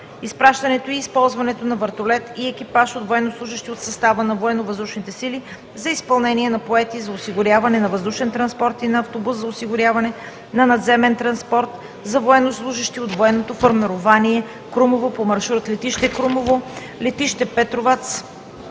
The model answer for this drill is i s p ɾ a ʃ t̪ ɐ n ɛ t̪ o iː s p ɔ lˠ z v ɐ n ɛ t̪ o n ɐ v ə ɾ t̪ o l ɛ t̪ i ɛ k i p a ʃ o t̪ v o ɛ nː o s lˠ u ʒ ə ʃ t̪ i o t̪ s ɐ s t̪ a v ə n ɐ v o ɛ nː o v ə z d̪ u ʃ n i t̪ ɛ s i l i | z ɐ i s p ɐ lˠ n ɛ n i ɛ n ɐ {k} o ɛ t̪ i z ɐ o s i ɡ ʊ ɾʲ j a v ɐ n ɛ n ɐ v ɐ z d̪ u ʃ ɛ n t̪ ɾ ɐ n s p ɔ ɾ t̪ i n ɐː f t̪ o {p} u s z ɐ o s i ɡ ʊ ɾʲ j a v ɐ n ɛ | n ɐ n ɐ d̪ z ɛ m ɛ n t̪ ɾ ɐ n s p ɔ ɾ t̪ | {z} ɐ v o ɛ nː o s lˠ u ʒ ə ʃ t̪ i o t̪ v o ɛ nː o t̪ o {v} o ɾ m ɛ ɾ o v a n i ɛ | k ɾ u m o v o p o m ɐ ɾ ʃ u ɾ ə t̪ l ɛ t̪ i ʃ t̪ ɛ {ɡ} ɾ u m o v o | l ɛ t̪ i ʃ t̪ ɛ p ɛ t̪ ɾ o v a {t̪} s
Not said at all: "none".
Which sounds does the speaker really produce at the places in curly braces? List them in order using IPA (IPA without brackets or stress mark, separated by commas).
p, b, z, f, k, t̪